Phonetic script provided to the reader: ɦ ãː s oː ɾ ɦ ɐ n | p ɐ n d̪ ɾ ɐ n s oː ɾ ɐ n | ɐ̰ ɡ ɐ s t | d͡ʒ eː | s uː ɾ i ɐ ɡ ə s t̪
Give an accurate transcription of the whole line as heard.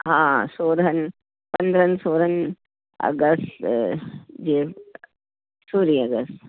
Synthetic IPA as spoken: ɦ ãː s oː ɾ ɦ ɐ n | p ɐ n d̪ ɾ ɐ n s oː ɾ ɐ n | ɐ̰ ɡ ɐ s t | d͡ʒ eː | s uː ɾ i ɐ ɡ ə s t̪

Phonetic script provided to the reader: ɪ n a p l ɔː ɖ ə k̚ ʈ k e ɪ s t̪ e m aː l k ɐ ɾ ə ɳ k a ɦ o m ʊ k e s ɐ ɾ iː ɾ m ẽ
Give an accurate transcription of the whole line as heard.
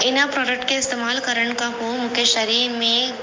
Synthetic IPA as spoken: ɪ n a p ɾ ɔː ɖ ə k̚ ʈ k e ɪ s t̪ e m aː l k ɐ ɾ ə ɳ k a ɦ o m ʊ k e ʃ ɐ ɾ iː ɾ m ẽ

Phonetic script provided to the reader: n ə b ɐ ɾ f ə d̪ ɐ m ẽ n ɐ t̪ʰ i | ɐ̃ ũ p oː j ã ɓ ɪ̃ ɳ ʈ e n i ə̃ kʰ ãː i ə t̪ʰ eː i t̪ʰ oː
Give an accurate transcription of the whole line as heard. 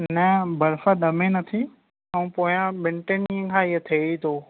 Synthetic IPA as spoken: n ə b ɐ ɾ f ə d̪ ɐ m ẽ n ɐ t̪ʰ i | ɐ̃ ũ p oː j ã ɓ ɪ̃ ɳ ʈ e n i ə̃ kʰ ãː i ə t̪ʰ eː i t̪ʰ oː

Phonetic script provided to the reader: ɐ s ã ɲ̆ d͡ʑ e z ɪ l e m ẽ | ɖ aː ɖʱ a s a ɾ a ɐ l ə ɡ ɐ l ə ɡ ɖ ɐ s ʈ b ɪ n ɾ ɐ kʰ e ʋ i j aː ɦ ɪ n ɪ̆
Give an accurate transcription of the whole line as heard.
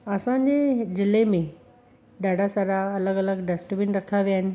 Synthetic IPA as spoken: ɐ s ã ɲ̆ d͡ʑ e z ɪ l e m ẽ | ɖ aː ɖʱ a s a ɾ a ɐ l ə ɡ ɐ l ə ɡ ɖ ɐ s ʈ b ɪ n ɾ ɐ kʰ a ʋ i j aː ɦ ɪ n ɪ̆

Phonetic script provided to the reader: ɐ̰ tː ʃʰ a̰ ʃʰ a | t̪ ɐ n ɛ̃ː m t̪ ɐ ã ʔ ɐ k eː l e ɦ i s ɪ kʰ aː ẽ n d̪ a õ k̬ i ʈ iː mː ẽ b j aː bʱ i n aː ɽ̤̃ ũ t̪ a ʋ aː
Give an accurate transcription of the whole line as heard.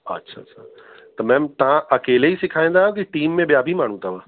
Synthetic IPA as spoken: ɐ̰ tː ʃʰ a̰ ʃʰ a | t̪ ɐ m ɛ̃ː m t̪ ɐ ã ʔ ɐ k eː l e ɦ i s ɪ kʰ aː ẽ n d̪ a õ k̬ i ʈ iː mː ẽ b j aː bʱ i m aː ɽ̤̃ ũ t̪ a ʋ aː

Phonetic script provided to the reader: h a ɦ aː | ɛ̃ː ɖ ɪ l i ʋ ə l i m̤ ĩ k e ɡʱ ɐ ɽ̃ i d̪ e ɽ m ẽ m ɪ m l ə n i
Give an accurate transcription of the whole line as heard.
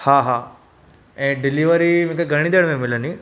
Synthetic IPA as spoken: h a ɦ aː | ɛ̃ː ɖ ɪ l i ʋ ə ɾ i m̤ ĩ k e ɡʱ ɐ ɽ̃ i d̪ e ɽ m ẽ m ɪ l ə n i

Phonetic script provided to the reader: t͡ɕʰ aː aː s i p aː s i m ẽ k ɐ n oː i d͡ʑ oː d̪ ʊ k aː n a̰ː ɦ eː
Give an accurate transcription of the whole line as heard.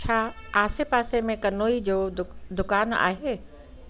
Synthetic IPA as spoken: t͡ɕʰ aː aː s e p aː s e m ẽ k ɐ n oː i d͡ʑ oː d̪ ʊ k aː n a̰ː ɦ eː

